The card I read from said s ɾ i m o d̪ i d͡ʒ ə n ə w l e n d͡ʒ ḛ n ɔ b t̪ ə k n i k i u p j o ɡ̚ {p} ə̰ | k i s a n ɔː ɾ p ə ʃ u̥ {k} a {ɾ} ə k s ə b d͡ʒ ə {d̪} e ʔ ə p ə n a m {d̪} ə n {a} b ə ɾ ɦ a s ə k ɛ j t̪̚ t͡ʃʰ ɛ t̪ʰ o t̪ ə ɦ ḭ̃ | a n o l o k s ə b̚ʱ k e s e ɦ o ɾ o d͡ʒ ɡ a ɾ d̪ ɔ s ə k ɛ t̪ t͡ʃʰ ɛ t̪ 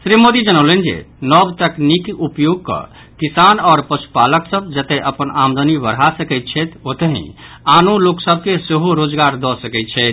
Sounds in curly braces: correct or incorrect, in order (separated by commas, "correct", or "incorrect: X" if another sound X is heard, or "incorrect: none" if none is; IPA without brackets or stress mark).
incorrect: k, incorrect: p, incorrect: l, incorrect: t̪, correct, incorrect: i